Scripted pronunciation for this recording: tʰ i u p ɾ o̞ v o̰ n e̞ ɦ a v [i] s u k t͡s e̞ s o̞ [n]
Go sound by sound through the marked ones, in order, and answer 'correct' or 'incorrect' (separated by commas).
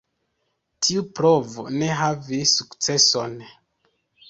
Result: correct, correct